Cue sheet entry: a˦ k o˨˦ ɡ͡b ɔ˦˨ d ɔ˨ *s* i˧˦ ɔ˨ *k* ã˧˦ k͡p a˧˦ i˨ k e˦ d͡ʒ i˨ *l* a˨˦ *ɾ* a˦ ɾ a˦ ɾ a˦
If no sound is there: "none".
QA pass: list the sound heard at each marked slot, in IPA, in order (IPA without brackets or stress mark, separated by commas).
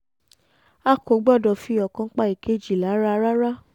f, k, l, ɾ